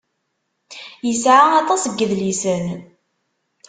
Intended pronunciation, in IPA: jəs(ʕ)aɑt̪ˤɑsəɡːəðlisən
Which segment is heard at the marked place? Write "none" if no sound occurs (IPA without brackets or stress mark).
ʕ